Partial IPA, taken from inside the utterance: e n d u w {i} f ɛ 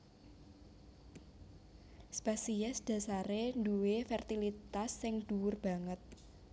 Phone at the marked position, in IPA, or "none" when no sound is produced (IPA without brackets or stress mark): e